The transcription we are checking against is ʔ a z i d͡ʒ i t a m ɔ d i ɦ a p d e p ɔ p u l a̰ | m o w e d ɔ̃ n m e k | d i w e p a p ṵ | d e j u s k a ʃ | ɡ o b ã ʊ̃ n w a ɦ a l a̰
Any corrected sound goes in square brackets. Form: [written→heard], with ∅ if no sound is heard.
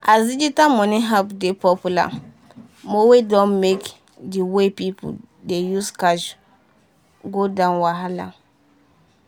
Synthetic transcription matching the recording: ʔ a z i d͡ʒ i t a m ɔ [d→n] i ɦ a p d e p ɔ p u l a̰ | m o w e d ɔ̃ n m e k | d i w e p [a→i] p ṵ | d e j u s k a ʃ | ɡ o [b→d] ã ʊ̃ n w a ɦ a l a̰